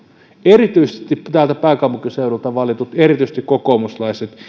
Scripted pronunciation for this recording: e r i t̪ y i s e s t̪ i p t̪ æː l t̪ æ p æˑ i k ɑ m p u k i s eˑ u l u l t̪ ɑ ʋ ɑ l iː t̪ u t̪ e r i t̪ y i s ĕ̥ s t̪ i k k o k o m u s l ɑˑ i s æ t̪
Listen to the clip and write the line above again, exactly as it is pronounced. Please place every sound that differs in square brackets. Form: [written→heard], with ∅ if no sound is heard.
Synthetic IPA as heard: e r i t̪ y i s e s t̪ i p t̪ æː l t̪ æ p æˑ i k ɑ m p u k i s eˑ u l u l t̪ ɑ ʋ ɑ l [iː→i] t̪ u t̪ e r i t̪ y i s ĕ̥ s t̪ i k k o k o m u s l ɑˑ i s [æ→e] t̪